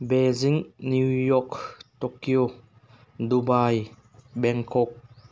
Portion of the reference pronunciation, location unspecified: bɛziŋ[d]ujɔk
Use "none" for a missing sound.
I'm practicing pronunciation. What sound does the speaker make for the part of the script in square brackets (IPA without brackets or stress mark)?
n